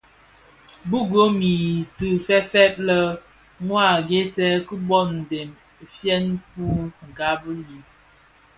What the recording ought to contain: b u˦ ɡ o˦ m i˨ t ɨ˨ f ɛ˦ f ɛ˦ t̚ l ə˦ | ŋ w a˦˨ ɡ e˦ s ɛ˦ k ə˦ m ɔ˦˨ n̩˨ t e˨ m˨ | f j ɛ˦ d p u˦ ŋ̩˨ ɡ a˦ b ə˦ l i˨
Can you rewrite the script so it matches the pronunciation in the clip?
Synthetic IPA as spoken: b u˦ ɡ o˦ m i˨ t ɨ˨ f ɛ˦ f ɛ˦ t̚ l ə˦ | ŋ w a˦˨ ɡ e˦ s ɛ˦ k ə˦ b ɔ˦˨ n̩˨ d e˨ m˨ | f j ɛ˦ n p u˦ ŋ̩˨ ɡ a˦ b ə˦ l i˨